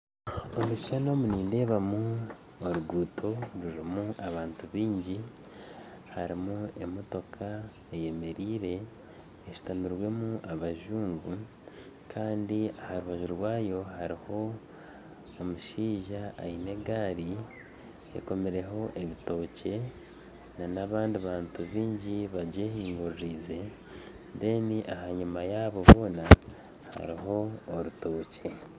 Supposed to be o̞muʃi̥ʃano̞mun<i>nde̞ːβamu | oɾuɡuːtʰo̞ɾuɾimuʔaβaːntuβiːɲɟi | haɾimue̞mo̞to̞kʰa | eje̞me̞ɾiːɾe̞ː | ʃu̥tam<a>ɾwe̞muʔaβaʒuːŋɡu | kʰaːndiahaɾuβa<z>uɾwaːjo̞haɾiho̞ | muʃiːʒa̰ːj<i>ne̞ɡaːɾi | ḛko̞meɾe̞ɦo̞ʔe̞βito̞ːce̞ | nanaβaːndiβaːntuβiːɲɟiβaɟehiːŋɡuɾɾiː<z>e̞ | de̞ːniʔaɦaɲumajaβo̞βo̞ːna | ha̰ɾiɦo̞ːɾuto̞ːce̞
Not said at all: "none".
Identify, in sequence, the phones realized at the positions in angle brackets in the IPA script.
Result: iː, i, ʒ, i, z

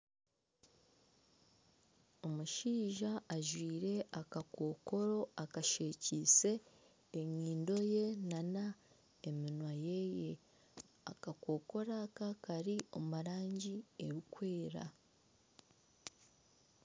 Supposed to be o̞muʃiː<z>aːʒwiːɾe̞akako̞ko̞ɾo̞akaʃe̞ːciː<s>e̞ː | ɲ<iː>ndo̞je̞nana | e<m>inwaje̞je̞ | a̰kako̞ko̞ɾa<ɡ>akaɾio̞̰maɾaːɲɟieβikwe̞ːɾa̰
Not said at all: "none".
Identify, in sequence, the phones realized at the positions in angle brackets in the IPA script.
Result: ʒ, s, iː, m, k

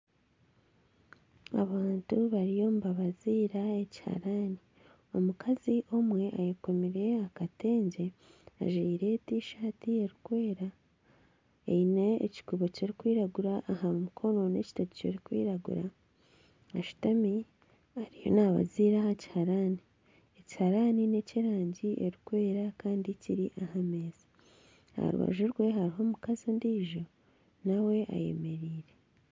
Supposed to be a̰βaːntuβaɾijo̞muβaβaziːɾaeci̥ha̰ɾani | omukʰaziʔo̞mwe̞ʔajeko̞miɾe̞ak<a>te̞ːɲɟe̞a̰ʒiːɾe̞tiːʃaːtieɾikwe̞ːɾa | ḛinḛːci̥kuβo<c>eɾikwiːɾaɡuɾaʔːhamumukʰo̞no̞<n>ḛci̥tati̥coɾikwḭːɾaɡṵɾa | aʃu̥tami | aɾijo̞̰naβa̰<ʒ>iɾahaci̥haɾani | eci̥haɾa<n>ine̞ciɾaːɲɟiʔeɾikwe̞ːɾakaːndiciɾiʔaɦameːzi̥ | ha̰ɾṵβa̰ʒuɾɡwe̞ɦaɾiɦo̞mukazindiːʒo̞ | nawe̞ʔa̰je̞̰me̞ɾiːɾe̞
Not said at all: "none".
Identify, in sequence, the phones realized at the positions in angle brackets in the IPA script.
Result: a, c, n, z, n

